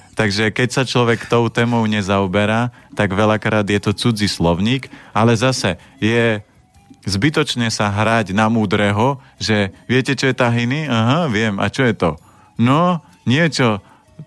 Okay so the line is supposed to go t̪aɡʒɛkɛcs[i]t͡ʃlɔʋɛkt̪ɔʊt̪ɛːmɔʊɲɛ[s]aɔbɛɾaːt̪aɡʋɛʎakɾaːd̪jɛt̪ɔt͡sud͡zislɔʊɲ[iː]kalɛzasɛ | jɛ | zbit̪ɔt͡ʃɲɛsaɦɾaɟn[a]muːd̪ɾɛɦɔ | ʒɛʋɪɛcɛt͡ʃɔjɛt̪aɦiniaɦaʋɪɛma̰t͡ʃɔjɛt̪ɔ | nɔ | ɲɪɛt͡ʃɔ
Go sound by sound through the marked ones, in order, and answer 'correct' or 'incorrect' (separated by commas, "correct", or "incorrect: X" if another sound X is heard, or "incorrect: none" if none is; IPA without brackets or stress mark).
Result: incorrect: a, incorrect: z, correct, correct